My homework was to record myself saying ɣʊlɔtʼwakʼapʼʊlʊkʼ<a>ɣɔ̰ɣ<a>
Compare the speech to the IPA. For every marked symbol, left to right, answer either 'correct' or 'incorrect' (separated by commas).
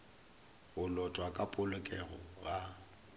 incorrect, correct